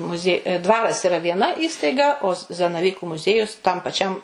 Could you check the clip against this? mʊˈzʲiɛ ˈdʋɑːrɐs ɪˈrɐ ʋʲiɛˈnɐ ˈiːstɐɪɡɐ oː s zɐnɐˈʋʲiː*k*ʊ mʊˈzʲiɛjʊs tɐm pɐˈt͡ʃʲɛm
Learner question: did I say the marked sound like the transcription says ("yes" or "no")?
yes